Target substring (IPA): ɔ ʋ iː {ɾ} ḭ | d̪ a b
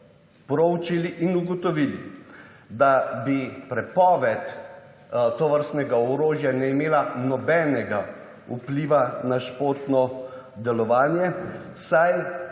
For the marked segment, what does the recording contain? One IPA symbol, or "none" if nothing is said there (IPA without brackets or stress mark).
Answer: l